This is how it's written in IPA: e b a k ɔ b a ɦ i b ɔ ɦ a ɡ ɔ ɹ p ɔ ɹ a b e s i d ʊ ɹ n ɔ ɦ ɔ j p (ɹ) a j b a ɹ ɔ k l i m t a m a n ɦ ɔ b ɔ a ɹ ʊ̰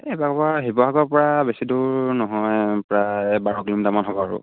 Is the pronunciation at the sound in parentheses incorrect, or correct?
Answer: correct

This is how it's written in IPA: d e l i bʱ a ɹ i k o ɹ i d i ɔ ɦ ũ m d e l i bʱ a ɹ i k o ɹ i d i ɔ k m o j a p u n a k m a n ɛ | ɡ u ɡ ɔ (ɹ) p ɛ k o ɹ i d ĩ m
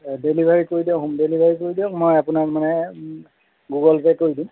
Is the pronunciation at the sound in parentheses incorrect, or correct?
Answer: incorrect: l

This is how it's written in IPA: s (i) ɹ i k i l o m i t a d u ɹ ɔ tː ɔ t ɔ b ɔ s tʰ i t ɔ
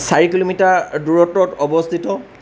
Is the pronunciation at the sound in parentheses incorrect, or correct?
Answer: incorrect: a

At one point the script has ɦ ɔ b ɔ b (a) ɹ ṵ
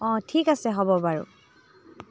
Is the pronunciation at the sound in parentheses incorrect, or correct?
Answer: correct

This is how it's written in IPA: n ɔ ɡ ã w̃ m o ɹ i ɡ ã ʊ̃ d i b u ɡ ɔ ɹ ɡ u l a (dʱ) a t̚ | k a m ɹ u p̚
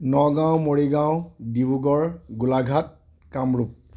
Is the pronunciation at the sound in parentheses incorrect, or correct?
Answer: incorrect: ɡʱ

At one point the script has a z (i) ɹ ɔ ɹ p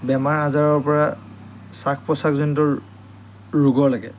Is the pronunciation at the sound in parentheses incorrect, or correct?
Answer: incorrect: a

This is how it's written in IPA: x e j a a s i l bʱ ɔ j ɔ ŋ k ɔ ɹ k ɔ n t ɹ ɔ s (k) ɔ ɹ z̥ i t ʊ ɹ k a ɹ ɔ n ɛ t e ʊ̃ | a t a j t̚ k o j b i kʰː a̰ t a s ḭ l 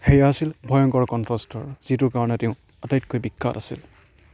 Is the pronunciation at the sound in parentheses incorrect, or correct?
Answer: incorrect: t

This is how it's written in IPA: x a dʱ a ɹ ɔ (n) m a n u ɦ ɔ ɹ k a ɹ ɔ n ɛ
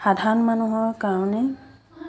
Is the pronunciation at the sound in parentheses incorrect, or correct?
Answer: correct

